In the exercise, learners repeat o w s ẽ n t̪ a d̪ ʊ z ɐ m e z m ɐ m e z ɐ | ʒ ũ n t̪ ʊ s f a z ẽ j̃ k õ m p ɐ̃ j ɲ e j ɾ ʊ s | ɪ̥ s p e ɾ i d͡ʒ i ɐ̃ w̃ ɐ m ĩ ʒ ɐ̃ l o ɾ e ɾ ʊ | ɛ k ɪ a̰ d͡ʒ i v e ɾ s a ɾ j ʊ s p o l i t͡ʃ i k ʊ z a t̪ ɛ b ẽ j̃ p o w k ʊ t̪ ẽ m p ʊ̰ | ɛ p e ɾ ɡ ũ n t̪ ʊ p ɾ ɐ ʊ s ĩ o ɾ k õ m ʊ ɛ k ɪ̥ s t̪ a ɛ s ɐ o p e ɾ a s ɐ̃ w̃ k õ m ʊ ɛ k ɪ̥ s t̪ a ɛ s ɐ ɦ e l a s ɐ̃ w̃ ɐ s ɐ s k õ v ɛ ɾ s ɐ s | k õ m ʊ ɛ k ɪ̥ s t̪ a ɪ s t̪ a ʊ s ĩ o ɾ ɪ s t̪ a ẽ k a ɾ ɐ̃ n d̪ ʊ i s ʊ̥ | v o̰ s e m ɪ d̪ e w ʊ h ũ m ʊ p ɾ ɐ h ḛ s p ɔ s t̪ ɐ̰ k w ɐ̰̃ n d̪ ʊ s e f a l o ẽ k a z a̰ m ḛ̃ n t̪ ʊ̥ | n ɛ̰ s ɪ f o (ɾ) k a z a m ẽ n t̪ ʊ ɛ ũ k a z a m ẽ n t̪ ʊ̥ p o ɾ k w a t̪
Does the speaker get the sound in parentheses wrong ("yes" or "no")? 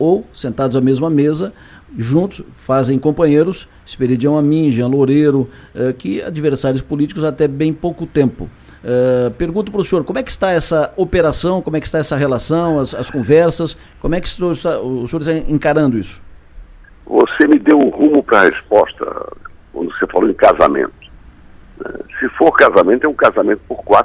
no